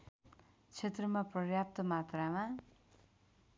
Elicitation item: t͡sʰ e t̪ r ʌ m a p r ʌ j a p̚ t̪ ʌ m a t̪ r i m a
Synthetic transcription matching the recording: t͡sʰ e t̪ r ʌ m a p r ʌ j a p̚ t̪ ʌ m a t̪ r a m a